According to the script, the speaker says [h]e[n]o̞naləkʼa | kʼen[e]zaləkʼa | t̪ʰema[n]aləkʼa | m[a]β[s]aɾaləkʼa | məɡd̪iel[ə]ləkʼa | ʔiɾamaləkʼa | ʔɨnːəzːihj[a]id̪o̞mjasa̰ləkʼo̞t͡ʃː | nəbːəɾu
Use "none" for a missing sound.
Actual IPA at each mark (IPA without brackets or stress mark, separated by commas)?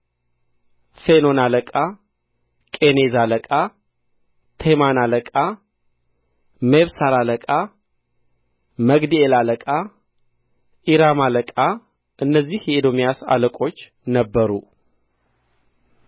f, n, e, n, e, s, a, ɛ